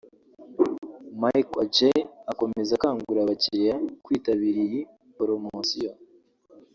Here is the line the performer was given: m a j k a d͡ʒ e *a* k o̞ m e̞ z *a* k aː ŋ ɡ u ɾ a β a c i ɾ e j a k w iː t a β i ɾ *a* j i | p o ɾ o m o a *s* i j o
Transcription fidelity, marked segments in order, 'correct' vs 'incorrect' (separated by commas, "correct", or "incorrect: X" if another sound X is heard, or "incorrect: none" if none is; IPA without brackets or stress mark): correct, correct, incorrect: i, correct